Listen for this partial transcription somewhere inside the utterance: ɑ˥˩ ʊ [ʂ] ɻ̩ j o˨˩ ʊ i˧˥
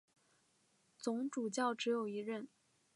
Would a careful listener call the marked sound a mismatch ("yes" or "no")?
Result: yes